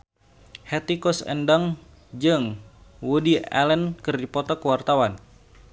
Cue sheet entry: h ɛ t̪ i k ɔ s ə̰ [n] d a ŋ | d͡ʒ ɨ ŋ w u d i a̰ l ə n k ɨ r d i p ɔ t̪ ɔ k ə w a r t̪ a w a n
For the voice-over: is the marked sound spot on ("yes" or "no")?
yes